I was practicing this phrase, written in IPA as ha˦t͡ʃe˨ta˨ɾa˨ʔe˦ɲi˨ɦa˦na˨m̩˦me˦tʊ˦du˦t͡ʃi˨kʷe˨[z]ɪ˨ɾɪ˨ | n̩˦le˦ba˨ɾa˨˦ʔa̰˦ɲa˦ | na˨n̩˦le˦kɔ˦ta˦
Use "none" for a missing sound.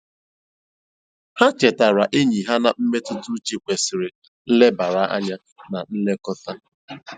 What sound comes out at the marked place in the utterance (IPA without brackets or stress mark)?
s